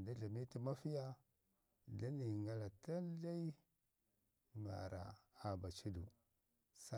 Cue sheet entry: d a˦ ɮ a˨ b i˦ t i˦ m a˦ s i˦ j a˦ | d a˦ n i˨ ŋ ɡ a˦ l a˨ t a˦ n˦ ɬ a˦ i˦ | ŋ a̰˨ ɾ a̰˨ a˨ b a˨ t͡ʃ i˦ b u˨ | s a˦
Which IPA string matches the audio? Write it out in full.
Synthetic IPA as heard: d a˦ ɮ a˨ m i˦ t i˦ m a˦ f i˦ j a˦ | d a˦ n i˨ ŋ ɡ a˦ l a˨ t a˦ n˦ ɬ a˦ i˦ | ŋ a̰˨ ɾ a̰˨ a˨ b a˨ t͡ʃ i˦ d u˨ | s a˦